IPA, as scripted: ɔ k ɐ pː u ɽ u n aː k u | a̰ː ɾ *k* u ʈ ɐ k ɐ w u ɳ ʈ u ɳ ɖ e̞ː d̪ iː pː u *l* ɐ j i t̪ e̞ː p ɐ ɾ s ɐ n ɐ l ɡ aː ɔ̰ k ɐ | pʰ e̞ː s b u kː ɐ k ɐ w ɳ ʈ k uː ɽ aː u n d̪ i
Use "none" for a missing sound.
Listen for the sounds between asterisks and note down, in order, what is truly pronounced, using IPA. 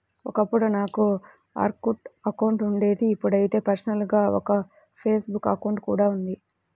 k, ɽ

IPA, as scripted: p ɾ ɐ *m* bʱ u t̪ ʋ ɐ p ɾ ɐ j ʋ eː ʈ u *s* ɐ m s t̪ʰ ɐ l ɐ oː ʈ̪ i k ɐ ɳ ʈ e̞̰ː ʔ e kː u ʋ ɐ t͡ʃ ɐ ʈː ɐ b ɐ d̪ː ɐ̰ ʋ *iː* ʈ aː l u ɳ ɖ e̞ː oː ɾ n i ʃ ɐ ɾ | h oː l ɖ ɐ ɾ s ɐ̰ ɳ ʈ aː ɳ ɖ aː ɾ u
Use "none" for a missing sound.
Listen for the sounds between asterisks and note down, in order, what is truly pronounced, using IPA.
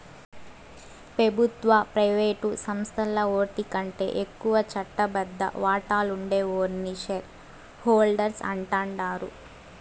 none, s, aː

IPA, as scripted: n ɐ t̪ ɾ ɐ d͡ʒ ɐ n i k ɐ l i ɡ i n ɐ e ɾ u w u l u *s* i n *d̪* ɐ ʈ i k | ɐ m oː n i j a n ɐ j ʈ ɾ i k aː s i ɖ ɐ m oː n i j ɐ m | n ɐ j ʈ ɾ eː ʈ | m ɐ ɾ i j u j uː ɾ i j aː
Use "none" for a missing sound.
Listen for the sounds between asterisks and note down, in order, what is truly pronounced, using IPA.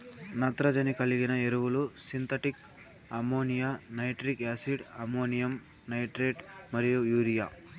s, t̪

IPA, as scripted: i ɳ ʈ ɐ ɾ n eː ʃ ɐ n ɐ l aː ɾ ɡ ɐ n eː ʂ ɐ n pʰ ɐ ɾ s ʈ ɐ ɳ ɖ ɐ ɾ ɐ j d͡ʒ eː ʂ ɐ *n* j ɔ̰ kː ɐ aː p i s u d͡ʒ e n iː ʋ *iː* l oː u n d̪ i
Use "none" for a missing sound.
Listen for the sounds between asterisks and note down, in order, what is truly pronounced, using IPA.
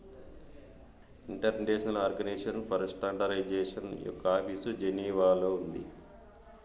n, aː

